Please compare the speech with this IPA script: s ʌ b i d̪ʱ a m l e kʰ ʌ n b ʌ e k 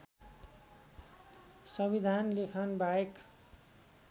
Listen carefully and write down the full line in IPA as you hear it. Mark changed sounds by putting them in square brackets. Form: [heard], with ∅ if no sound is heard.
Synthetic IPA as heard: s ʌ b i d̪ʱ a [n] l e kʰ ʌ n b [a] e k